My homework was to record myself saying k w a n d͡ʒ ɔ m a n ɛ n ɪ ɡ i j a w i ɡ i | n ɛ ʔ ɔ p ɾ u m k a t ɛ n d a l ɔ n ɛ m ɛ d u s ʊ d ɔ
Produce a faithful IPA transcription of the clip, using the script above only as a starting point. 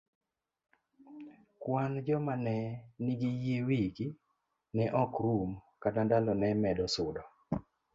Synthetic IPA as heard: k w a n d͡ʒ ɔ m a n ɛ n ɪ ɡ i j e w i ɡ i | n ɛ ʔ ɔ k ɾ u m k a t a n d a l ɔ n ɛ m ɛ d ɔ s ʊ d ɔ